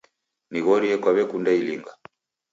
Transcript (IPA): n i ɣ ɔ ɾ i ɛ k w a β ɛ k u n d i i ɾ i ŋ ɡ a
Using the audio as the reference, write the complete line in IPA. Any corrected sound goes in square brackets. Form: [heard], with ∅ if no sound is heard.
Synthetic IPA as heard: n i ɣ ɔ ɾ i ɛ k w a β ɛ k u n d [a] i [l] i ŋ ɡ a